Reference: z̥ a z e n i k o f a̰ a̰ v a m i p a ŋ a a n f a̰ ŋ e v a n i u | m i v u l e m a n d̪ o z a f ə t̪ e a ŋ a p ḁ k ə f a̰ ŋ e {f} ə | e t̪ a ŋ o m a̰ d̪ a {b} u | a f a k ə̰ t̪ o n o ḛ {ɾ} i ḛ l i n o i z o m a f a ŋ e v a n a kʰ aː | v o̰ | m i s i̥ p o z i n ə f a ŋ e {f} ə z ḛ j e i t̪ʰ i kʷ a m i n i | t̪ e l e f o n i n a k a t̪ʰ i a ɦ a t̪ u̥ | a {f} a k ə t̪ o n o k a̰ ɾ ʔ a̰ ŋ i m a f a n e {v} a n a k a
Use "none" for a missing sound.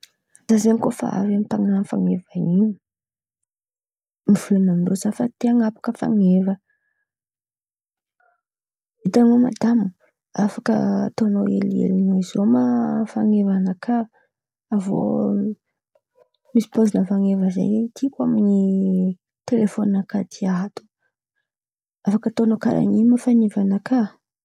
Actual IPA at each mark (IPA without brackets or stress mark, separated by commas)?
v, m, l, v, f, v